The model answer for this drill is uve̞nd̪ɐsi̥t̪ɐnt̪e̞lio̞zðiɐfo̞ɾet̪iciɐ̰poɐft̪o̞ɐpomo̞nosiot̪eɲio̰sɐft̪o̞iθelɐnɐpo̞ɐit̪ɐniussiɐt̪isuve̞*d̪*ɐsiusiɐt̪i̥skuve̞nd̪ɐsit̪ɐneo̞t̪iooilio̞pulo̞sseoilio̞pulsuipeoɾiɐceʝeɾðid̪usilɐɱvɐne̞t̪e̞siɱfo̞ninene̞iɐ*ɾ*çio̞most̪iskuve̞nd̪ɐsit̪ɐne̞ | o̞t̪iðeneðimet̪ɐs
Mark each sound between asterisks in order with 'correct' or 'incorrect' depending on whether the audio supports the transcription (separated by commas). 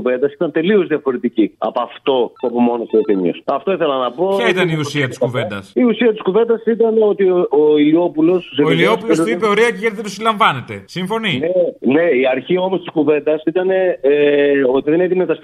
correct, correct